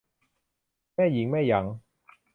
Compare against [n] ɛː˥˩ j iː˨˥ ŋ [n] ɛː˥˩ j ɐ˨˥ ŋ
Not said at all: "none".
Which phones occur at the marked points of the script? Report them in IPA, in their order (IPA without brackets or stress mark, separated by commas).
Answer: m, m